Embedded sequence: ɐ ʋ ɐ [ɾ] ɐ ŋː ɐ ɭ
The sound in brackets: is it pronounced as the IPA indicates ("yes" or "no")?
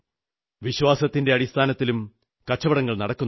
no